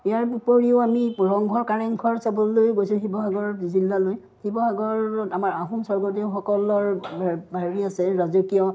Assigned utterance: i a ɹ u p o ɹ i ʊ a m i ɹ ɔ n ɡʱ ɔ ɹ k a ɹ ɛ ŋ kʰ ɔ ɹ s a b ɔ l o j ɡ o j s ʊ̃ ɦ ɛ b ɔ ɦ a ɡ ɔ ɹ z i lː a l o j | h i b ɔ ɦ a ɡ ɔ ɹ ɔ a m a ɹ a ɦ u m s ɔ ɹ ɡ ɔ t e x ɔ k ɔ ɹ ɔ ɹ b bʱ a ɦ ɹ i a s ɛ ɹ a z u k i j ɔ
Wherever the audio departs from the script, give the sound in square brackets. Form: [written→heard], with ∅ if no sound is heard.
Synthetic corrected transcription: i a ɹ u p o ɹ i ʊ a m i ɹ ɔ [n→ŋ] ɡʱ ɔ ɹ k a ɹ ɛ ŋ kʰ ɔ ɹ s a b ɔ l o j ɡ o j s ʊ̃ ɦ [ɛ→i] b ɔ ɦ a ɡ ɔ ɹ z i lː a l o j | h i b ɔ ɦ a ɡ ɔ ɹ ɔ a m a ɹ a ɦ u m s ɔ ɹ ɡ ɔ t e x ɔ k ɔ [ɹ→l] ɔ ɹ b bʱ a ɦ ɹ i a s ɛ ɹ a z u k i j ɔ

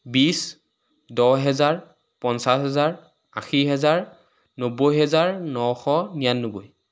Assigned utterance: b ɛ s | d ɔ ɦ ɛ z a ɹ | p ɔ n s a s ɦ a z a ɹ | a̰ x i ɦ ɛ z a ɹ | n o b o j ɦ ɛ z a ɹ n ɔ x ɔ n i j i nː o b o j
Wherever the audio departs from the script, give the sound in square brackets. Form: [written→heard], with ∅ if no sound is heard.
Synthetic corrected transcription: b [ɛ→i] s | d ɔ ɦ ɛ z a ɹ | p ɔ n s a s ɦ [a→ɛ] z a ɹ | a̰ x i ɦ ɛ z a ɹ | n o b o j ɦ ɛ z a ɹ n ɔ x ɔ n i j [i→a] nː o b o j

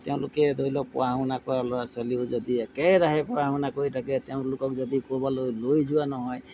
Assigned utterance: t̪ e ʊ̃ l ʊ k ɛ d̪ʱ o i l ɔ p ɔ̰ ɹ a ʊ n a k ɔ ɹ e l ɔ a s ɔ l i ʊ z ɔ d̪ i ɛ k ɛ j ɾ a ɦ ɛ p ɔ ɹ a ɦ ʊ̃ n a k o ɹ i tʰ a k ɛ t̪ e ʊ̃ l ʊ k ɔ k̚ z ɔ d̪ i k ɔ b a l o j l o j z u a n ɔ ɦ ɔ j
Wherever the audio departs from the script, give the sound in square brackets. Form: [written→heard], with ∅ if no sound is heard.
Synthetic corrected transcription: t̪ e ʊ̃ l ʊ k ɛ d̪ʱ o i l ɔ p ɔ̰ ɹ a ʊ n a k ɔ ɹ [e→a] l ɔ a s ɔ l i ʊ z ɔ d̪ i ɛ k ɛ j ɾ a ɦ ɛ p ɔ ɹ a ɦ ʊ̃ n a k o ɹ i tʰ a k ɛ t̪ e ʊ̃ l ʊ k ɔ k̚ z ɔ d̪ i k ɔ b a l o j l o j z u a n ɔ ɦ ɔ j

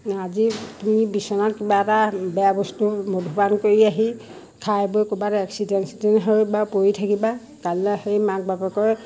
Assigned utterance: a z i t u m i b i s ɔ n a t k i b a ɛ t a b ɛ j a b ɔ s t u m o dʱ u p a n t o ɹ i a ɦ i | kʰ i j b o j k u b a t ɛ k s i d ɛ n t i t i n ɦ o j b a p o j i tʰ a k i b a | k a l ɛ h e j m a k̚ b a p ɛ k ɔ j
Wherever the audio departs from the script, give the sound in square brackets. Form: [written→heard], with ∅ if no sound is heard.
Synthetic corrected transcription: a z i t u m i b i s ɔ n a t k i b a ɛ t a b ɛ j a b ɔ s t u m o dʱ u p a n [t→k] o ɹ i a ɦ i | kʰ [i→a] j b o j k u b a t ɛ k s i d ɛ n [t→s] i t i n ɦ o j b a p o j i tʰ a k i b a | k a l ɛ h e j m a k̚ b a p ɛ k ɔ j

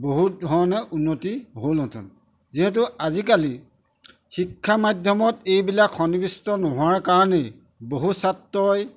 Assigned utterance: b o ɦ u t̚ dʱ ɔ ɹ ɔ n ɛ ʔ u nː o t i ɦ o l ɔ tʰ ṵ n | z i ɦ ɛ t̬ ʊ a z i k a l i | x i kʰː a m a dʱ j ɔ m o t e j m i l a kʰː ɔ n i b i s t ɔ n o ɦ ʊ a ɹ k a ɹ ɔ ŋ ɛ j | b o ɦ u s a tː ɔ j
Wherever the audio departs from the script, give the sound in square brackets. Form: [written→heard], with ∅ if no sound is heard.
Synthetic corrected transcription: b o ɦ u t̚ dʱ ɔ ɹ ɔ n ɛ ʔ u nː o t i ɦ o l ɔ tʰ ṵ n | z i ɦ ɛ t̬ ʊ a z i k a l i | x i kʰː a m a dʱ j ɔ m [o→ɔ] t e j [m→b] i l a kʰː ɔ n i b i s t ɔ n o ɦ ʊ a ɹ k a ɹ ɔ [ŋ→n] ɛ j | b o ɦ u s a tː ɔ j

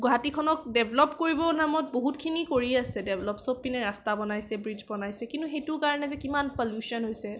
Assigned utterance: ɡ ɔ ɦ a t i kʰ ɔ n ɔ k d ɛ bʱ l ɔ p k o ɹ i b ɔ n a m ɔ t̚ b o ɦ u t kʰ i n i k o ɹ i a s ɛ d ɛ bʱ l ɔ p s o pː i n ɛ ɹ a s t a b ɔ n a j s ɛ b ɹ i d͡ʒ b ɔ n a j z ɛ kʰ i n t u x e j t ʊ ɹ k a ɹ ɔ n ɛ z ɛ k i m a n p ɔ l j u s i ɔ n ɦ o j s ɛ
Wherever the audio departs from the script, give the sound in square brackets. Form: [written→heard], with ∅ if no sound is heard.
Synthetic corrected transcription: ɡ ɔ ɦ a t i kʰ ɔ n ɔ k d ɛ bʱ l ɔ p k o ɹ i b ɔ n a m ɔ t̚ b o ɦ u t kʰ i n i k o ɹ i a s ɛ d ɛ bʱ l ɔ p s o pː i n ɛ ɹ a s t a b ɔ n a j s ɛ b ɹ i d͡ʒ b ɔ n a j [z→s] ɛ [kʰ→k] i n t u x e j t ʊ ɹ k a ɹ ɔ n ɛ z ɛ k i m a n p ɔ l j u s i ɔ n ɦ o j s ɛ

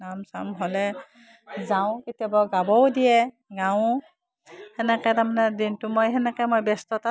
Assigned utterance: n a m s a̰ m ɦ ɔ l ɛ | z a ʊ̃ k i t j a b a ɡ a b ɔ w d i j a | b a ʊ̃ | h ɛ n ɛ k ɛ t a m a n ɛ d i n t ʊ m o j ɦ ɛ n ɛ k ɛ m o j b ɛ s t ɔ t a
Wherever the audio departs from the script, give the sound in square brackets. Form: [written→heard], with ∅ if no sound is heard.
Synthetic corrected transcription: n a m s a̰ m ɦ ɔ l ɛ | z a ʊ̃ k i t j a b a ɡ a b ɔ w d i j [a→ɛ] | [b→ɡ] a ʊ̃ | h ɛ n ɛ k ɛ t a m a n ɛ d i n t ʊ m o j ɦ ɛ n ɛ k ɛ m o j b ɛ s t ɔ t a

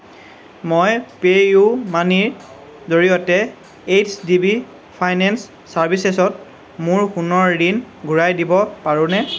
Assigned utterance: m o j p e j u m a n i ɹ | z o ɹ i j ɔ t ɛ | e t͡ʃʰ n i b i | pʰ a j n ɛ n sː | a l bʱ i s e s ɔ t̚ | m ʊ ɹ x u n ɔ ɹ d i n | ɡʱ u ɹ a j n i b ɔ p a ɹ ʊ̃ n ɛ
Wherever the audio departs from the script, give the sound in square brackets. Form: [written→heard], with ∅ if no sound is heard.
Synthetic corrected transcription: m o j p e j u m a n i ɹ | z o ɹ i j ɔ t ɛ | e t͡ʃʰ [n→d] i b i | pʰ a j n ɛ n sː | a [l→ɹ] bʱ i s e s ɔ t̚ | m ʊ ɹ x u n ɔ ɹ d i n | ɡʱ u ɹ a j [n→d] i b ɔ p a ɹ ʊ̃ n ɛ

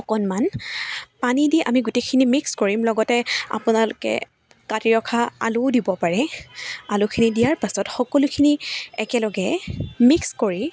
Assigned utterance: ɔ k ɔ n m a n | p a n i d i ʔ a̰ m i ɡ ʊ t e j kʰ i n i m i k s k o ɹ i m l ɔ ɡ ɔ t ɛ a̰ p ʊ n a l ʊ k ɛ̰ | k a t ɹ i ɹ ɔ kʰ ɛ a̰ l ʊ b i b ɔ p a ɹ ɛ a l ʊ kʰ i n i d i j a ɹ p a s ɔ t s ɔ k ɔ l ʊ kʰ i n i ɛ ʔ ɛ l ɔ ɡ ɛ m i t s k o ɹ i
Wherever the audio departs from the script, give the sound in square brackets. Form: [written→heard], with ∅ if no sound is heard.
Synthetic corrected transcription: ɔ k ɔ n m a n | p a n i d i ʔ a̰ m i ɡ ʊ t e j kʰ i n i m i k s k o ɹ i m l ɔ ɡ ɔ t ɛ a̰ p ʊ n a l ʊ k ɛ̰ | k a t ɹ i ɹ ɔ kʰ [ɛ→a] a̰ l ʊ [b→d] i b ɔ p a ɹ ɛ a l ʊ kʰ i n i d i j a ɹ p a s ɔ t [s→x] ɔ k ɔ l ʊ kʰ i n i ɛ [ʔ→k] ɛ l ɔ ɡ ɛ m i [t→k] s k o ɹ i

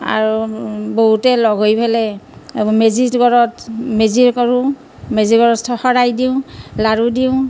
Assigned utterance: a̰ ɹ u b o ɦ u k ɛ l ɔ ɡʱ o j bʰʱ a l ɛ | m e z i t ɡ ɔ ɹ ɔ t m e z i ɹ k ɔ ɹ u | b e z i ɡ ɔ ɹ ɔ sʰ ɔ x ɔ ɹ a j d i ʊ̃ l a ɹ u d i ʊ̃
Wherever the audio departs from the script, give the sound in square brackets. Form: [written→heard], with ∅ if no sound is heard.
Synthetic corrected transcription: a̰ ɹ u b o ɦ u [k→t] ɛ l ɔ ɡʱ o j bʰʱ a l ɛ | m e z i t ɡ ɔ ɹ ɔ t m e z i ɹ k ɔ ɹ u | [b→m] e z i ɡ ɔ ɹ ɔ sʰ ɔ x ɔ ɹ a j d i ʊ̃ l a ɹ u d i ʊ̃

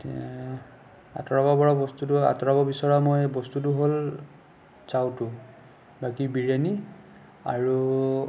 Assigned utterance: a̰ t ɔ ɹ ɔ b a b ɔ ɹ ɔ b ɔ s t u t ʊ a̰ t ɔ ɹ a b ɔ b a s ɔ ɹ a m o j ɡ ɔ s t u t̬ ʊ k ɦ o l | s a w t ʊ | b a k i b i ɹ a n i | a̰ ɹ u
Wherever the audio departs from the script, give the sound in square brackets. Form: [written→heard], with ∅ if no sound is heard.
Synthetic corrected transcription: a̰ t ɔ ɹ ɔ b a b ɔ ɹ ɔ b ɔ s t u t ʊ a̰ t ɔ ɹ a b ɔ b [a→i] s ɔ ɹ a m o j [ɡ→b] ɔ s t u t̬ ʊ [k→∅] ɦ o l | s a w t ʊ | b a k i b i ɹ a n i | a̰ ɹ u

